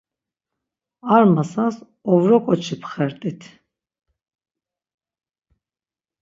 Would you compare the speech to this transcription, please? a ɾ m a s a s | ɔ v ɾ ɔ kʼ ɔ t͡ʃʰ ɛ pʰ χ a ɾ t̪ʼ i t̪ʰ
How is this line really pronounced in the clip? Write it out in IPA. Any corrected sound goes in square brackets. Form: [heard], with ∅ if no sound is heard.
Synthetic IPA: a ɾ m a s a s | ɔ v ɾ ɔ kʼ ɔ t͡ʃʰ [i] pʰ χ [ɛ] ɾ t̪ʼ i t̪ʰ